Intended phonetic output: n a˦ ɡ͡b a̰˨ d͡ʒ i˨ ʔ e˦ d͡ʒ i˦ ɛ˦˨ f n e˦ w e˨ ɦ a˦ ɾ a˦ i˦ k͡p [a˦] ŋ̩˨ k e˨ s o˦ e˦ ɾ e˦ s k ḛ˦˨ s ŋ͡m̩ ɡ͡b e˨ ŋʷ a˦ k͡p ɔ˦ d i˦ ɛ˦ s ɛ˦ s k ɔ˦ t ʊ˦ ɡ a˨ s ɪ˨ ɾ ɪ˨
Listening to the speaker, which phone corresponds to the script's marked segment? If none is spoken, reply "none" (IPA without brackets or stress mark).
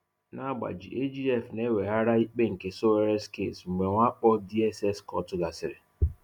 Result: e˦